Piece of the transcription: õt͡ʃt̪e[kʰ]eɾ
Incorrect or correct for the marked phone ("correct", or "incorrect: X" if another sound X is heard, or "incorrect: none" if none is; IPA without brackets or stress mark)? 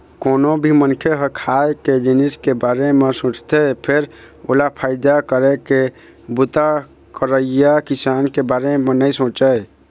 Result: incorrect: pʰ